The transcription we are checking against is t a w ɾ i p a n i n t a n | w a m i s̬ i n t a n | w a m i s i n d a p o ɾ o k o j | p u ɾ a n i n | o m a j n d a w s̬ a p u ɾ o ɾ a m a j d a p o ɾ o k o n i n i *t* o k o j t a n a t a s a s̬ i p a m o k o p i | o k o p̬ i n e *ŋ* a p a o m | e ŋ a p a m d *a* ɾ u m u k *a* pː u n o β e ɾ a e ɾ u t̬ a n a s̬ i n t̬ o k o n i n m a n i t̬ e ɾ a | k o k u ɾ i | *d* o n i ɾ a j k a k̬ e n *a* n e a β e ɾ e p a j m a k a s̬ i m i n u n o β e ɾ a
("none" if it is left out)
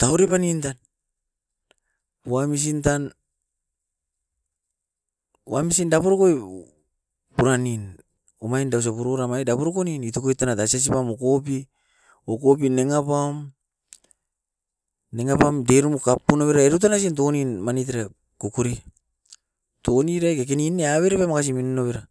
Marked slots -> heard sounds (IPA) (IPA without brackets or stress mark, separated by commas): t, ŋ, e, a, t, i